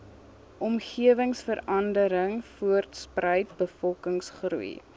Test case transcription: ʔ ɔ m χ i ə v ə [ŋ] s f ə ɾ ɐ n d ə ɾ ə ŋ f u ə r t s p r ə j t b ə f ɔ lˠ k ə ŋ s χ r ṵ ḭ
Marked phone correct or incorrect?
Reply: correct